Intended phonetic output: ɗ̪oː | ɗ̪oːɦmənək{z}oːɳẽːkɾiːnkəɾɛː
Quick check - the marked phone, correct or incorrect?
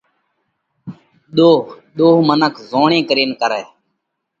correct